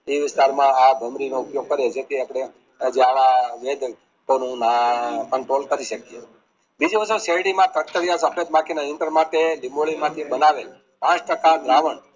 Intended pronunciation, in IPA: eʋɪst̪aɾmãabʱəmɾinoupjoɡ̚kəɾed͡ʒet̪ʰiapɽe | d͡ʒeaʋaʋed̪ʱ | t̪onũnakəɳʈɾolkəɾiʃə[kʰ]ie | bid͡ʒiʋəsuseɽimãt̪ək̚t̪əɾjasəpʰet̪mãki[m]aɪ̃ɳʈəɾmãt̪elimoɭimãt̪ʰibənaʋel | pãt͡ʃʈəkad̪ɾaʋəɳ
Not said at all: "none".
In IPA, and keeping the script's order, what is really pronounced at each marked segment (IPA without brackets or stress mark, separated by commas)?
k, n